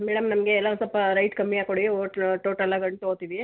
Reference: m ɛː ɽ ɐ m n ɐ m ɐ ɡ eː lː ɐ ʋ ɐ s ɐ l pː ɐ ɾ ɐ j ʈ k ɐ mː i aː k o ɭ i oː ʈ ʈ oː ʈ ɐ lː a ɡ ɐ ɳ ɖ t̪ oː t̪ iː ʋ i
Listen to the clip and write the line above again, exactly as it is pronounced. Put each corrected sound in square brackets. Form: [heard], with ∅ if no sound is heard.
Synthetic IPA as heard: m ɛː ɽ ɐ m n ɐ m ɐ ɡ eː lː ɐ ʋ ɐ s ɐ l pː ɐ ɾ ɐ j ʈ k ɐ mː i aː k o [ɽ] i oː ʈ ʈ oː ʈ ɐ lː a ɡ ɐ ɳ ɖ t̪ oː t̪ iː ʋ i

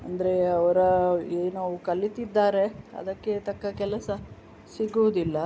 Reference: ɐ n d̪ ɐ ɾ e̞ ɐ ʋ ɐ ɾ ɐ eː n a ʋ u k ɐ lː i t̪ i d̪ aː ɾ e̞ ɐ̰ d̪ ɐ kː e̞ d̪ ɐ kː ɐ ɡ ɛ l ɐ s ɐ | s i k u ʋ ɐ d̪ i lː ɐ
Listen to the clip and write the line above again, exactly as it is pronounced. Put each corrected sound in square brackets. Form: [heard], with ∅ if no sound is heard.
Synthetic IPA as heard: ɐ n d̪ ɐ ɾ e̞ ɐ ʋ ɐ ɾ ɐ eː n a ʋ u k ɐ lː i t̪ i [d̪ː] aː ɾ e̞ ɐ̰ d̪ ɐ kː e̞ [t̪] ɐ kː ɐ [k] ɛ l ɐ s ɐ | s i [ɡ] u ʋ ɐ d̪ i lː ɐ

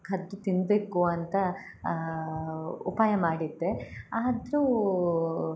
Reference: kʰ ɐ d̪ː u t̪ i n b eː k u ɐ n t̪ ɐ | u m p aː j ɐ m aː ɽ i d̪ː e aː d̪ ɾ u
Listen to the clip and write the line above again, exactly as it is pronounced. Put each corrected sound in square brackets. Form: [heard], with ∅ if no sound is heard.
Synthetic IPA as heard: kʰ ɐ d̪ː u t̪ i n b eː k u ɐ n t̪ ɐ | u [∅] p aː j ɐ m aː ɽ i d̪ː e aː d̪ ɾ u

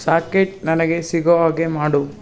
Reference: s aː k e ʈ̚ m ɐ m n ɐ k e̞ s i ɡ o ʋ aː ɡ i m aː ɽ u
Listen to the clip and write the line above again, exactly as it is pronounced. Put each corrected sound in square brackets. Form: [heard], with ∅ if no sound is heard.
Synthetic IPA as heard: s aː k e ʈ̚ [n] ɐ [∅] n ɐ [ɡ] e̞ s i ɡ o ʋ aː ɡ [e] m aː ɽ u

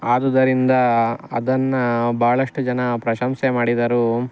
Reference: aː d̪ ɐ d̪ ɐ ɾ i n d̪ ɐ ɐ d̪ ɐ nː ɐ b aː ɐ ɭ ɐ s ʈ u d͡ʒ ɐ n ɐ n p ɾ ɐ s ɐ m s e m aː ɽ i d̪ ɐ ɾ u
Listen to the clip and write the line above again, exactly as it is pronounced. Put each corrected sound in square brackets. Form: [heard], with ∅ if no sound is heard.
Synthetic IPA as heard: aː d̪ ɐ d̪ ɐ ɾ i n d̪ ɐ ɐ d̪ ɐ nː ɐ b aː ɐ ɭ ɐ [ʂ] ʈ u d͡ʒ ɐ n ɐ [∅] p ɾ ɐ [ʃ] ɐ m s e m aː ɽ i d̪ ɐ ɾ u

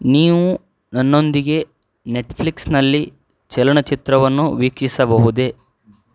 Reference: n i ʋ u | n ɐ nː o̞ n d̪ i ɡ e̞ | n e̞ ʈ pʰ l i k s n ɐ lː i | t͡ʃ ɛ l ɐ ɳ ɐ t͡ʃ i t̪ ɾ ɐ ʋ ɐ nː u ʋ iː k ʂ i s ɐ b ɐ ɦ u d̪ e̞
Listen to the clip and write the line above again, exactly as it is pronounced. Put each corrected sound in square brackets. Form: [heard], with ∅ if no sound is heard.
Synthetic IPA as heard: n [iː] ʋ u | n ɐ nː o̞ n d̪ i ɡ e̞ | n e̞ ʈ pʰ l i k s n ɐ lː i | t͡ʃ ɛ l ɐ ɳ ɐ t͡ʃ i t̪ ɾ ɐ ʋ ɐ nː u ʋ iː k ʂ i s ɐ b ɐ ɦ u d̪ e̞

